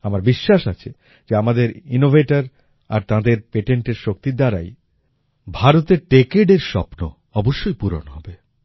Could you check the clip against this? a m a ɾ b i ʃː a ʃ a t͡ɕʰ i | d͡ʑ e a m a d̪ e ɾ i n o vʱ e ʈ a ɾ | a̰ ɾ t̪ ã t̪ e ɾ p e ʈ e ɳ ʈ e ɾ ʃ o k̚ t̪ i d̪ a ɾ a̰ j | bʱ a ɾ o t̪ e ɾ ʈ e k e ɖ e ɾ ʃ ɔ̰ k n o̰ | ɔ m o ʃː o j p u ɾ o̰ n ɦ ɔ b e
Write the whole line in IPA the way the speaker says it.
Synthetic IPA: a m a ɾ b i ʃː a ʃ a t͡ɕʰ e | d͡ʑ e a m a d̪ e ɾ i n o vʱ e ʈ a ɾ | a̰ ɾ t̪ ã d̪ e ɾ p e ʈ e ɳ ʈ e ɾ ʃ o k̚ t̪ i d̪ a ɾ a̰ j | bʱ a ɾ o t̪ e ɾ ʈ e k e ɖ e ɾ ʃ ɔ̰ p n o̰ | ɔ b o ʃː o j p u ɾ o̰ n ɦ ɔ b e